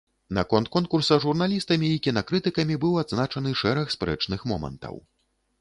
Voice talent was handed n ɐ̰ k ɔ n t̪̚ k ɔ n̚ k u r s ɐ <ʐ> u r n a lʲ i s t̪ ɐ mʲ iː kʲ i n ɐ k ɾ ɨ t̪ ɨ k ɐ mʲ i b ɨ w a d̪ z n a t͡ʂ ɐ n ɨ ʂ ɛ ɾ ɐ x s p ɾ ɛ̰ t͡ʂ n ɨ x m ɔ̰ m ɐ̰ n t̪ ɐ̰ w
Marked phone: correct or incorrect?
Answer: correct